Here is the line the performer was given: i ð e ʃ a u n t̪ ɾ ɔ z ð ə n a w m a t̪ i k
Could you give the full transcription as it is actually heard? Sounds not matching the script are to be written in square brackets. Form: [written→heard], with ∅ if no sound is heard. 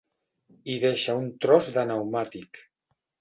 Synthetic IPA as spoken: i ð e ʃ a u n t̪ ɾ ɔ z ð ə n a w m a t̪ i k